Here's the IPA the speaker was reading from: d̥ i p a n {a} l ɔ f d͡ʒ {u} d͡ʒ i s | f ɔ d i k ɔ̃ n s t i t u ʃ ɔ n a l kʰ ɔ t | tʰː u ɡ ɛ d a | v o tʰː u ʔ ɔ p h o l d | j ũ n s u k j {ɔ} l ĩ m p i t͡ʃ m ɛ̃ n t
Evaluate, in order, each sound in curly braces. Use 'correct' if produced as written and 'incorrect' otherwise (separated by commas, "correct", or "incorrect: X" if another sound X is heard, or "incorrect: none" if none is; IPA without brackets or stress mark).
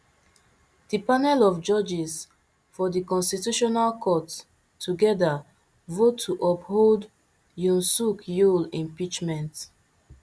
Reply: incorrect: ɛ, incorrect: ɔ, incorrect: u